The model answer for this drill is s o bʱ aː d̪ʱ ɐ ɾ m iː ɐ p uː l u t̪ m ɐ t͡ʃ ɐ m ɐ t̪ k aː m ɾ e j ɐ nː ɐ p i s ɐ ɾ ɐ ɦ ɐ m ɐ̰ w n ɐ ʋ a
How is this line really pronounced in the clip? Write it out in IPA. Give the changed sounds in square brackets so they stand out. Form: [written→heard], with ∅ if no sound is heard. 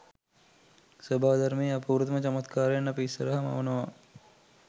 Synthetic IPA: s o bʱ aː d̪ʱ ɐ ɾ m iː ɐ p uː [l→ɾ] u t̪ m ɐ t͡ʃ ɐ m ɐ t̪ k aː [m→∅] ɾ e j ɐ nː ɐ p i s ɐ ɾ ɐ ɦ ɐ m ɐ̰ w n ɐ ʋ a